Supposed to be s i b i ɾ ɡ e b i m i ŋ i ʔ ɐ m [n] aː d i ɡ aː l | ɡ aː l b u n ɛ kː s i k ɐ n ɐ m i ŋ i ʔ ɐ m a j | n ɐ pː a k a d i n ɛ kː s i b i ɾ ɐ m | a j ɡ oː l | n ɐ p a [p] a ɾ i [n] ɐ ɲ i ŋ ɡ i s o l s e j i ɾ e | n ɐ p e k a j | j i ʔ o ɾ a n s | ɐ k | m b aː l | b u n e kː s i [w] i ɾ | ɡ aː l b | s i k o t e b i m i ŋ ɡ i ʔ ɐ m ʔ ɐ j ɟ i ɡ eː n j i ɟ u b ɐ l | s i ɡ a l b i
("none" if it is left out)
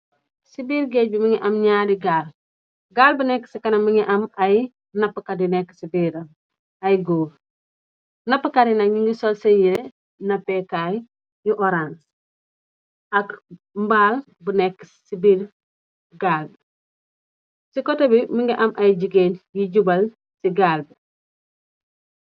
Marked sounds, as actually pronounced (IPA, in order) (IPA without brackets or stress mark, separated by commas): ɲ, k, n, b